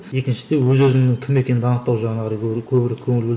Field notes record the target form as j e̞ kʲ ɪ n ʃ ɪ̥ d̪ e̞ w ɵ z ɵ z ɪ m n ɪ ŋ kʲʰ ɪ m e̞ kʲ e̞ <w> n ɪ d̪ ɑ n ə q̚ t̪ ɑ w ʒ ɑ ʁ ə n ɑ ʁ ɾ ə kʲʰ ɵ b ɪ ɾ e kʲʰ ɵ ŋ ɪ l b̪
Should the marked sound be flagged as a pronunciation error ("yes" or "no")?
yes